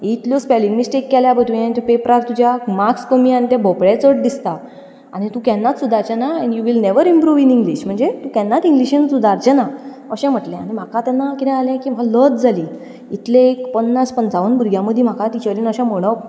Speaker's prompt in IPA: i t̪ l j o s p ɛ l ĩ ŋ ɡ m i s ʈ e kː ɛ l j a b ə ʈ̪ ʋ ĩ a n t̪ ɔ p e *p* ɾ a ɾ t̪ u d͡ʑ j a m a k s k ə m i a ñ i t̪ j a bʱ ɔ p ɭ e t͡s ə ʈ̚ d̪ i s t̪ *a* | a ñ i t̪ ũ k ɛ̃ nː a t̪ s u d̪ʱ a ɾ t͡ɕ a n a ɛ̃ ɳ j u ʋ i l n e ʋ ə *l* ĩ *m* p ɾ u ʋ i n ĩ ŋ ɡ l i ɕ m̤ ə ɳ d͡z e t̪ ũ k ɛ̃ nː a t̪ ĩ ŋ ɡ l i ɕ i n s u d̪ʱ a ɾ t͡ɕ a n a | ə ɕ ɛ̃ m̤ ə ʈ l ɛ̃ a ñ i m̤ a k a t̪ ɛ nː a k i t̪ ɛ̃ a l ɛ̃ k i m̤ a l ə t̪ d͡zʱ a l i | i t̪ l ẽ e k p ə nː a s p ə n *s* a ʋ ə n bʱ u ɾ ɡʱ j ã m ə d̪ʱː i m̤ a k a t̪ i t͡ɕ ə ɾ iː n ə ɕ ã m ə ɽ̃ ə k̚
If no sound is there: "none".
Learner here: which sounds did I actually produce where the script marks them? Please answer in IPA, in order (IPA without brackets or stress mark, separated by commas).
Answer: p, a, ɾ, m, t͡s